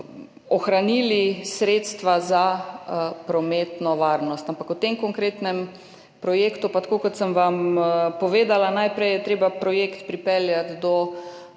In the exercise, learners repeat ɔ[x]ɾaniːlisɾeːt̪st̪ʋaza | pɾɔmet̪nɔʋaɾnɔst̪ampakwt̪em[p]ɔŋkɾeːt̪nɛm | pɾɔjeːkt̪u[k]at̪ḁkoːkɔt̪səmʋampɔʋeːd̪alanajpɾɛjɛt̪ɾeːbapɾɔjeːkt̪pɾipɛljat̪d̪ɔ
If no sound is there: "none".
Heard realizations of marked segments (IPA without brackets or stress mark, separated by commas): x, k, p